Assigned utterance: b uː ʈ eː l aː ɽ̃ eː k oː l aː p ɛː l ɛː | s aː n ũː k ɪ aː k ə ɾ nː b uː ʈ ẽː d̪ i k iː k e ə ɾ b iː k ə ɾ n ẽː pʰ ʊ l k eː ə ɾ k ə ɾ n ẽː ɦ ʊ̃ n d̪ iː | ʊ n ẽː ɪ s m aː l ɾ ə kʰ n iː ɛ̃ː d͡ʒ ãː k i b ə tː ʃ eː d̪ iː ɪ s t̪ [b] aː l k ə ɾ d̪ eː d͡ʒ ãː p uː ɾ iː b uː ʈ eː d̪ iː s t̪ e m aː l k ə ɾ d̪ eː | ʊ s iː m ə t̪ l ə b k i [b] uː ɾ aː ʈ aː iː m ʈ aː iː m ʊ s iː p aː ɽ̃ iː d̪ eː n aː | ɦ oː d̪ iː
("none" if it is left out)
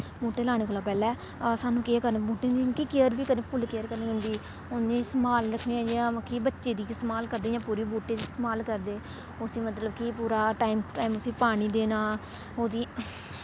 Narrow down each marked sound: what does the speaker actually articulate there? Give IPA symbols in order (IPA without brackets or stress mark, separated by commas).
m, p